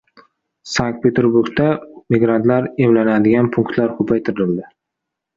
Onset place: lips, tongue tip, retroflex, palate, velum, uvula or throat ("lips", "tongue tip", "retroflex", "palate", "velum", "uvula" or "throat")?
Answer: tongue tip